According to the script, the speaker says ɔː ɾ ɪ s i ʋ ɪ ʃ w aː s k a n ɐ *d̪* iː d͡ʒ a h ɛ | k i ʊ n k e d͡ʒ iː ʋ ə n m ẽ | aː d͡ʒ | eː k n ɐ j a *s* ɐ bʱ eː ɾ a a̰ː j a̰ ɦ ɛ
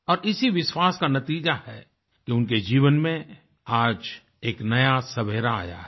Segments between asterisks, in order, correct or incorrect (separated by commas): incorrect, correct